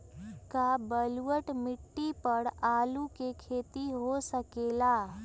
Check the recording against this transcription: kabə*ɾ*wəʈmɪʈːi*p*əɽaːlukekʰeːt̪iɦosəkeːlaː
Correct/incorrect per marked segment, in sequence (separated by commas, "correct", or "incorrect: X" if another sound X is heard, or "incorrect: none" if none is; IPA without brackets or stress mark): incorrect: l, correct